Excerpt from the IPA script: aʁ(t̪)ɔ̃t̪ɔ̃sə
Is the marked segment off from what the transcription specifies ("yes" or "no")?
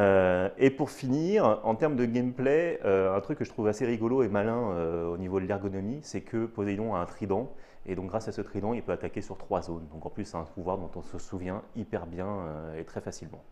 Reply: yes